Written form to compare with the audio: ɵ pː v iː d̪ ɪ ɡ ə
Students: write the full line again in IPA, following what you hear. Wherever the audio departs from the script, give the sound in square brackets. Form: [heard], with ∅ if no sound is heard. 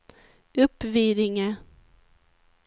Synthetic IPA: ɵ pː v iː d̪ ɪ [ŋ] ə